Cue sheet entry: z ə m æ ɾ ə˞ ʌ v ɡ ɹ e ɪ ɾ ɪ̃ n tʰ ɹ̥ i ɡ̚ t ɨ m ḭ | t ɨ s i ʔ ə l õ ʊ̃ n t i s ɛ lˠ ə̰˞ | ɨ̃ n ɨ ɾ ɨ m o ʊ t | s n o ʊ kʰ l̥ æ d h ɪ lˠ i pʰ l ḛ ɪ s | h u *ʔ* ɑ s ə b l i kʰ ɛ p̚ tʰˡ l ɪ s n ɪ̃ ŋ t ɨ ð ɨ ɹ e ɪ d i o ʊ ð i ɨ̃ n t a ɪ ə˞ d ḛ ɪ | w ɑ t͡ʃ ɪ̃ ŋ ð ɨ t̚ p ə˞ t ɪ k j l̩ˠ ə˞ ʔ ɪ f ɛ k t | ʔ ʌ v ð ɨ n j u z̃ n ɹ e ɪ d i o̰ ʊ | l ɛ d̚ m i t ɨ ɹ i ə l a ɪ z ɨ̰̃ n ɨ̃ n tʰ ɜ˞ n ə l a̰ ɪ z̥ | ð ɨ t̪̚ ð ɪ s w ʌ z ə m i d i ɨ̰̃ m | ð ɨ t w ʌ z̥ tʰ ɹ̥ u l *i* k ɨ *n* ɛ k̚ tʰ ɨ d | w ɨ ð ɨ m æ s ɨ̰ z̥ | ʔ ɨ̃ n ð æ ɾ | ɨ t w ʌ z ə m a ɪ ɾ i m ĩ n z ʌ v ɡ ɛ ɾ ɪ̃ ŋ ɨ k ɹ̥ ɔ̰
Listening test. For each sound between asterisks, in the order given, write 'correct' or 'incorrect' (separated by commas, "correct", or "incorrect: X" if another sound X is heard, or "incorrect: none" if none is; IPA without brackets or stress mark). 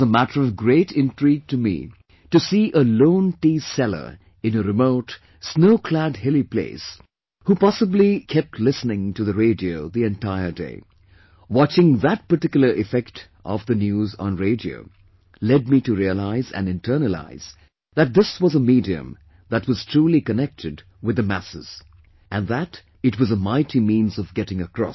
incorrect: p, correct, correct